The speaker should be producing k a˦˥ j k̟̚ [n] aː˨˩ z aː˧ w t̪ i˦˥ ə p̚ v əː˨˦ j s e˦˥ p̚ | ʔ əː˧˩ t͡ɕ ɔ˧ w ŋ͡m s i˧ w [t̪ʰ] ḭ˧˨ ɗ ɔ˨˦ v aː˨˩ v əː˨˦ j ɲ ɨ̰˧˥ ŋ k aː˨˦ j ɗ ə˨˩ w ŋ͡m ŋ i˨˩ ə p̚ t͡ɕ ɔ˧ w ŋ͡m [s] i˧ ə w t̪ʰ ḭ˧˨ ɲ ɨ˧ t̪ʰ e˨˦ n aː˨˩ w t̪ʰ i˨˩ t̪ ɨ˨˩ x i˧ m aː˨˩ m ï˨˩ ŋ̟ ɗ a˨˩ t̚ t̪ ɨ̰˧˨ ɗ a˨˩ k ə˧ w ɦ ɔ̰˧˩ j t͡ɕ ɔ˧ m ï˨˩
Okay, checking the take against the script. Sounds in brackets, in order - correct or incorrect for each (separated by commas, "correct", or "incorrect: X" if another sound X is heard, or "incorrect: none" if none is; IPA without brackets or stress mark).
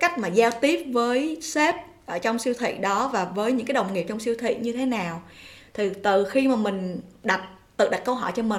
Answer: incorrect: m, correct, correct